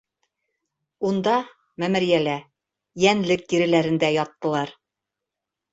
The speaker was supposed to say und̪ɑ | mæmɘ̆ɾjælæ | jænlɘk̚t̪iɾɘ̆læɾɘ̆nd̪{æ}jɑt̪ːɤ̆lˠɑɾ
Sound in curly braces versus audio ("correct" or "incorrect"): correct